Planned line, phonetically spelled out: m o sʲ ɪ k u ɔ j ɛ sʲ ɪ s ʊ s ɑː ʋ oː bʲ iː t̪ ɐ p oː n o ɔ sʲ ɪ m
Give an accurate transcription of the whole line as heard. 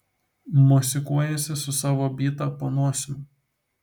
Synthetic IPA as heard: m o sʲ ɪ k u ɔ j ɛ sʲ ɪ s ʊ s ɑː ʋ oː bʲ iː t̪ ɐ p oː n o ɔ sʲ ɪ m